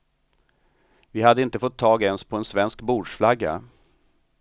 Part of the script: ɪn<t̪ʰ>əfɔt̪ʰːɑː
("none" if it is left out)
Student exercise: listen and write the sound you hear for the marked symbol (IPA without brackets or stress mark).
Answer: t̪